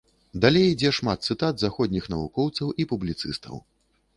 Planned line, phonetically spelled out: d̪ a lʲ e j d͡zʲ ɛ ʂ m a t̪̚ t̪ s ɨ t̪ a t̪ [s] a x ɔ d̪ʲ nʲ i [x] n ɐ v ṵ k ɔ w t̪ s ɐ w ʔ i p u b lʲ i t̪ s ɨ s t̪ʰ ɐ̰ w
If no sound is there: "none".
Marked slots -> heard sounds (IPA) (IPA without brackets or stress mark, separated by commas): z, x